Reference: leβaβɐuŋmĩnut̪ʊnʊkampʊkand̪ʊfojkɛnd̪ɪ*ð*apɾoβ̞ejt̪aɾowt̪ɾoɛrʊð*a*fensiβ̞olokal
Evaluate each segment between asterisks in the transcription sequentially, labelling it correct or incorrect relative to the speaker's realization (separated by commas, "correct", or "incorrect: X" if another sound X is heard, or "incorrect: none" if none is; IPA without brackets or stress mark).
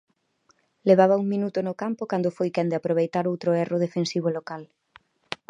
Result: incorrect: none, incorrect: e